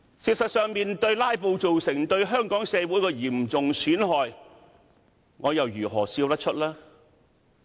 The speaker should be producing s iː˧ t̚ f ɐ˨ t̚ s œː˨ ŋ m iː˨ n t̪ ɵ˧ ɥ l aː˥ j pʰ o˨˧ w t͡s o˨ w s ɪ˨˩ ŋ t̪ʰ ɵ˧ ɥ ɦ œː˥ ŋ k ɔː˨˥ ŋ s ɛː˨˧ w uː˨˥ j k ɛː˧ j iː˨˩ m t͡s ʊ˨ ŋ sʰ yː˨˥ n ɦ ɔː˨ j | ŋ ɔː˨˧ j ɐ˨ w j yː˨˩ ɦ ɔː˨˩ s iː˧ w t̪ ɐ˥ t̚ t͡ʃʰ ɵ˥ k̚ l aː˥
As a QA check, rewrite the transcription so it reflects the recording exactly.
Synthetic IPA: s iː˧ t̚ s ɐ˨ t̚ s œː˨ ŋ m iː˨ n t̪ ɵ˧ ɥ l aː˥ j p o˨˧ w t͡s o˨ w s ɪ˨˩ ŋ t̪ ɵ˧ ɥ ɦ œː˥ ŋ k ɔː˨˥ ŋ s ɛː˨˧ w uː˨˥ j k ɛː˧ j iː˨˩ m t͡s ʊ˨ ŋ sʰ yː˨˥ n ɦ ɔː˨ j | ŋ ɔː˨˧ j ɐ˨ w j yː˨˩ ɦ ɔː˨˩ s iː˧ w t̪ ɐ˥ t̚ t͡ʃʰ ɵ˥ t̚ l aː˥